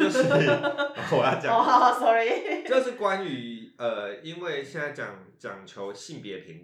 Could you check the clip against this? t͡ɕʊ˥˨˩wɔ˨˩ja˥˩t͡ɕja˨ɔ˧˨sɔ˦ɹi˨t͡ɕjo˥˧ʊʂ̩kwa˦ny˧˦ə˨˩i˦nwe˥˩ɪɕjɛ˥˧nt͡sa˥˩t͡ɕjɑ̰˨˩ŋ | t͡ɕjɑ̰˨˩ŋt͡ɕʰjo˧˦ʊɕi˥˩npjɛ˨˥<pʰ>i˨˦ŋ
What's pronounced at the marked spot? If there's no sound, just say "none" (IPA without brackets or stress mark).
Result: pʰ